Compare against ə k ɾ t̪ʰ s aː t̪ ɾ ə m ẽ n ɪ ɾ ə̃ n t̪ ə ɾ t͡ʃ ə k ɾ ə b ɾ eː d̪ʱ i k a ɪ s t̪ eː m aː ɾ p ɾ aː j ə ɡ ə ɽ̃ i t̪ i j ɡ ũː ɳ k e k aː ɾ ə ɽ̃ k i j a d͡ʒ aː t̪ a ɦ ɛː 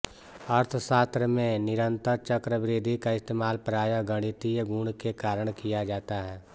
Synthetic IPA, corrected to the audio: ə ɾ t̪ʰ s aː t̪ ɾ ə m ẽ n ɪ ɾ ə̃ n t̪ ə ɾ t͡ʃ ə k ɾ ə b ɾ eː d̪ʱ i k a ɪ s t̪ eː m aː l p ɾ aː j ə ɡ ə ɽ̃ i t̪ i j ɡ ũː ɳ k e k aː ɾ ə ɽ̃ k i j a d͡ʒ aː t̪ a ɦ ɛː